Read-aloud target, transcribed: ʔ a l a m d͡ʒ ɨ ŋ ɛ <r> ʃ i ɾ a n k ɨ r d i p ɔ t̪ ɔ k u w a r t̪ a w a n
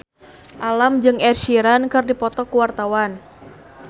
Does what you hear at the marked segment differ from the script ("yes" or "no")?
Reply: no